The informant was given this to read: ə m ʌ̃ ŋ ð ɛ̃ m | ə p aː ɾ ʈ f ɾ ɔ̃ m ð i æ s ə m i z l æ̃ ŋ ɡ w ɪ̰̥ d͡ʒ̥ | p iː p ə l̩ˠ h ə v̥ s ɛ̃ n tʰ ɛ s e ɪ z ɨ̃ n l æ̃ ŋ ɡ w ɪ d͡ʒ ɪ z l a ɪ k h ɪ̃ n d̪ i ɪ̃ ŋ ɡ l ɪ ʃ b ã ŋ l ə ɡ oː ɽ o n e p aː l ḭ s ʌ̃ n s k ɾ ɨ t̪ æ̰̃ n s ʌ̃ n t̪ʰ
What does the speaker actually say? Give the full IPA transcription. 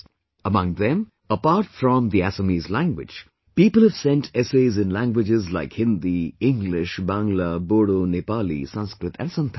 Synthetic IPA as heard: ə m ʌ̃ ŋ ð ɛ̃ m | ə p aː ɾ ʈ f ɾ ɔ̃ m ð i æ s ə m i z l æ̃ ŋ ɡ w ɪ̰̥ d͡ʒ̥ | p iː p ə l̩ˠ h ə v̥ s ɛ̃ n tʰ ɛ s e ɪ z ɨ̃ n l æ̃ ŋ ɡ w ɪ d͡ʒ ɪ z l a ɪ k h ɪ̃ n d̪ i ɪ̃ ŋ ɡ l ɪ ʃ b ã ŋ l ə b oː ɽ o n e p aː l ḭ s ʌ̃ n s k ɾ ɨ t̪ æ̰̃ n s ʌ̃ n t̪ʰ